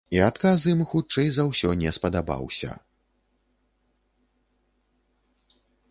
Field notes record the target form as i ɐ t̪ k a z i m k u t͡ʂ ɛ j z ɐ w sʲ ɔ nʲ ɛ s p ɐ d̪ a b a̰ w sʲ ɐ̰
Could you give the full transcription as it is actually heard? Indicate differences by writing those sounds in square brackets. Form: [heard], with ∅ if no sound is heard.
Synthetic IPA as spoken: i [a] t̪ k a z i m [x] u t͡ʂ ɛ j z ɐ w sʲ ɔ nʲ ɛ s p ɐ d̪ a b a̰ w sʲ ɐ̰

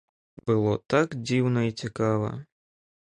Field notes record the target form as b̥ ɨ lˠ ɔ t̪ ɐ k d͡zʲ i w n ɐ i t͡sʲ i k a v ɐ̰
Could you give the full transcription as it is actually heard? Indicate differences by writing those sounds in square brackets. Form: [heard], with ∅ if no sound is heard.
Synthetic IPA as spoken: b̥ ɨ lˠ ɔ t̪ [a] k d͡zʲ i w n ɐ i t͡sʲ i k a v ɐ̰

